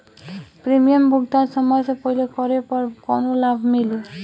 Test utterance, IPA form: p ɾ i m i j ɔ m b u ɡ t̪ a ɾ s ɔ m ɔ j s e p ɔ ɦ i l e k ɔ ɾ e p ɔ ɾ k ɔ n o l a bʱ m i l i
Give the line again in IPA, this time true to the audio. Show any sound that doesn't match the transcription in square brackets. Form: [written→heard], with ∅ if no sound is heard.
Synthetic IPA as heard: p ɾ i m i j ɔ m b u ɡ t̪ a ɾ s ɔ m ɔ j s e p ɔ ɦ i l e k ɔ ɾ e p ɔ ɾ k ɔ n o l a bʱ m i l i